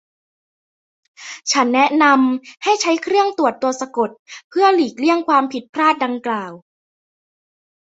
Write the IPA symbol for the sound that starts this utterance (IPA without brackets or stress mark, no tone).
t͡ɕʰ